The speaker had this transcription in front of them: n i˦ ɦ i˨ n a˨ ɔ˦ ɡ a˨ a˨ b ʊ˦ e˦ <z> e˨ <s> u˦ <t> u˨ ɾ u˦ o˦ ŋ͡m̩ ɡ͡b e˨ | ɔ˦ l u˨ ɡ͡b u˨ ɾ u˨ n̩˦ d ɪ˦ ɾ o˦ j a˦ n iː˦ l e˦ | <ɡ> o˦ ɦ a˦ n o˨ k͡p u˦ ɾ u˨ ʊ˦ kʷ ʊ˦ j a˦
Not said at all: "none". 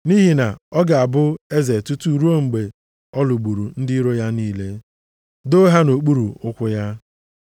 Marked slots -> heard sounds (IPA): z, t, t, d

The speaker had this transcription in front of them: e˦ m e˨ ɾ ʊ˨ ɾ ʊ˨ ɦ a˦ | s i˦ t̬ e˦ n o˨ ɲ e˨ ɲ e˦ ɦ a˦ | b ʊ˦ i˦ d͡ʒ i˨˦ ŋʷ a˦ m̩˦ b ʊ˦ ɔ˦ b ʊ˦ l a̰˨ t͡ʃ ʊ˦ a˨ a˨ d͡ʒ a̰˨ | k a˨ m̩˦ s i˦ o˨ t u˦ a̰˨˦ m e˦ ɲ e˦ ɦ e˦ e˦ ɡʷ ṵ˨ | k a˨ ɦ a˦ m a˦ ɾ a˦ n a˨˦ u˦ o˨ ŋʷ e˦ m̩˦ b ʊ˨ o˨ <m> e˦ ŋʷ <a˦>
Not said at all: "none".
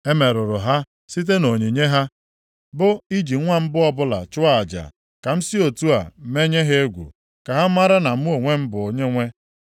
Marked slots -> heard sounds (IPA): ɲ, e˦

